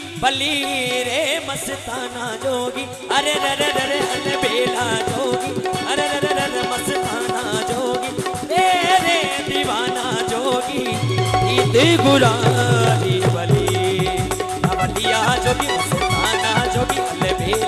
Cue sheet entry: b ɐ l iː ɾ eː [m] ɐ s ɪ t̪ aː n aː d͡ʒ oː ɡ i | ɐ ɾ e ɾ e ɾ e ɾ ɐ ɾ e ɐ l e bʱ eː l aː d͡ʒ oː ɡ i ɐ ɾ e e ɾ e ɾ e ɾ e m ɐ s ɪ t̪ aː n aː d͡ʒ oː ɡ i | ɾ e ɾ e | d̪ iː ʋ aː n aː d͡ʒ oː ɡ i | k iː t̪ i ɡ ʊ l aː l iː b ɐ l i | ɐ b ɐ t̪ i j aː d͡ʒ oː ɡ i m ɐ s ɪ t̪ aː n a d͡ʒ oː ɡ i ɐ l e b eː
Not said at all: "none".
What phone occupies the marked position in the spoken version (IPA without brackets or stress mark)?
m